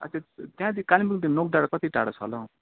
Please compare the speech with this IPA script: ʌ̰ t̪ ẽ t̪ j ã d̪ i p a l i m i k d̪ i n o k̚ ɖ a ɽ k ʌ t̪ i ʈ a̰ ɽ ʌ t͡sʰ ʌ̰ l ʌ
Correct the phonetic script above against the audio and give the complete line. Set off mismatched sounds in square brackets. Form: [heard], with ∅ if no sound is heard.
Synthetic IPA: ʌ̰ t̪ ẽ t̪ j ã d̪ i [k] a l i m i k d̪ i n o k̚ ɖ a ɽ k ʌ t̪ i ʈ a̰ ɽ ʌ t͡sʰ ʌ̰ l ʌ